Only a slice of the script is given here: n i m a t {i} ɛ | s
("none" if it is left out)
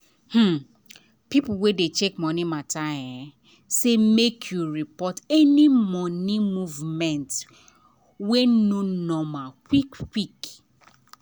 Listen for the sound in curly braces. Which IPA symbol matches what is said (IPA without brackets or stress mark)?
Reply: a